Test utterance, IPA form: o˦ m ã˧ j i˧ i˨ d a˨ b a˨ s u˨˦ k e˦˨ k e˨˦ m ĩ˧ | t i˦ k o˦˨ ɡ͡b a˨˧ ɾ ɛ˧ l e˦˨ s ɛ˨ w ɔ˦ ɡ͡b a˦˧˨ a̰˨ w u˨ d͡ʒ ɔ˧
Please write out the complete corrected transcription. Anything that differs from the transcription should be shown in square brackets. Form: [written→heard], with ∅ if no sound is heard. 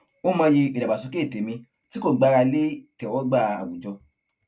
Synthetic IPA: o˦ m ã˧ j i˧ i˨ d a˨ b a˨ s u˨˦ k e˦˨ [k→t] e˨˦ m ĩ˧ | t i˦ k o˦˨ ɡ͡b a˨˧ ɾ [ɛ˧→a˧] l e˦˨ [s→t] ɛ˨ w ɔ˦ ɡ͡b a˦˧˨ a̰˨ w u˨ d͡ʒ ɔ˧